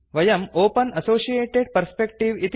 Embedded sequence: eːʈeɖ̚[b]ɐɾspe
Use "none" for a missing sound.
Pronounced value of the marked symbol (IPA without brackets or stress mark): p